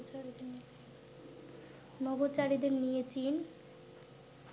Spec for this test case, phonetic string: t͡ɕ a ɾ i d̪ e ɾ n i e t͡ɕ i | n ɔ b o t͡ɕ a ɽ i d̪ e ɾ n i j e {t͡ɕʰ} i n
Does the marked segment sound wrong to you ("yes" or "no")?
yes